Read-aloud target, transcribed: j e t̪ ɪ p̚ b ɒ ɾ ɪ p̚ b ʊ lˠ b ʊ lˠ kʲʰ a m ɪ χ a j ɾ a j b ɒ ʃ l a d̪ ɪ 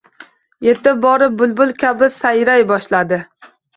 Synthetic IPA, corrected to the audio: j e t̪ ɪ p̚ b ɒ ɾ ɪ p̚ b ʊ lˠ b ʊ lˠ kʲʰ a b ɪ s a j ɾ a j b ɒ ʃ l a d̪ ɪ